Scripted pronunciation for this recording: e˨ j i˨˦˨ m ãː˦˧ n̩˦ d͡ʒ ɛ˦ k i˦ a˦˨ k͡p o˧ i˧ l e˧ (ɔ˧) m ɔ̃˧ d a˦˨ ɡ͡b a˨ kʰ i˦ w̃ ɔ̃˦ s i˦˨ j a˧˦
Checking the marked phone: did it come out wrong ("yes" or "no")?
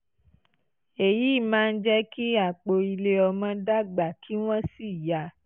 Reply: no